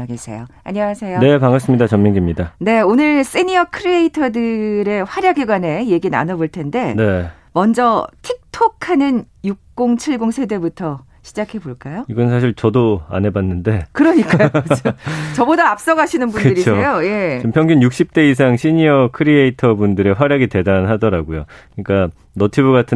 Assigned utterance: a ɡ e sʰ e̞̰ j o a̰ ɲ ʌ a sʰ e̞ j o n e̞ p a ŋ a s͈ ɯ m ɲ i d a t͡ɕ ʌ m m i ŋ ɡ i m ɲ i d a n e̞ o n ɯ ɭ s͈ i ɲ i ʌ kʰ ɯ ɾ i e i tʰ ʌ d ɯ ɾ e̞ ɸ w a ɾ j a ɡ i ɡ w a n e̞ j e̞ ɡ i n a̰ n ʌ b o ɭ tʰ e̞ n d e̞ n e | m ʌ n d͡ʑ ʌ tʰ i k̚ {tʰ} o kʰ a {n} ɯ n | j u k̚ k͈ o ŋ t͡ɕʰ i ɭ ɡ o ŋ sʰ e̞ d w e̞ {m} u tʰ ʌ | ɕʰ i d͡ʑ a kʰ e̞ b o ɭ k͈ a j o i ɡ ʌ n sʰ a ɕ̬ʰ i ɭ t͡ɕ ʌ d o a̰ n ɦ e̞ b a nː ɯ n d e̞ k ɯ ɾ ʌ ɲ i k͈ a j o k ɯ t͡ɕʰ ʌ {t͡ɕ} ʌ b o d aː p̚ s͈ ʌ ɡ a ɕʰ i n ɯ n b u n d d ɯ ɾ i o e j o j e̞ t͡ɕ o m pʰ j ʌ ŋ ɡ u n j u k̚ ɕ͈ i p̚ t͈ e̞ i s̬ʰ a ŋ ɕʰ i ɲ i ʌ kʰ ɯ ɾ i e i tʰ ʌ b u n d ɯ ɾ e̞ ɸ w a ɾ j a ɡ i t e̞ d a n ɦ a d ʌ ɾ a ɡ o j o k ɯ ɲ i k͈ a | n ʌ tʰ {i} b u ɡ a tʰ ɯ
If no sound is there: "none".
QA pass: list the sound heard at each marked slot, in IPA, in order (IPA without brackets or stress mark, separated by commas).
tʰ, n, b, t͡ɕ, i